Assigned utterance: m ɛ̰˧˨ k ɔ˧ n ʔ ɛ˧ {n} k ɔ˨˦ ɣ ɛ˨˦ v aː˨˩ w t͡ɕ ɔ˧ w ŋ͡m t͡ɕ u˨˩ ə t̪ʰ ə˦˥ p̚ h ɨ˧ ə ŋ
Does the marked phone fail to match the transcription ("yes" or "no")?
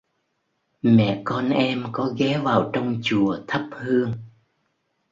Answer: yes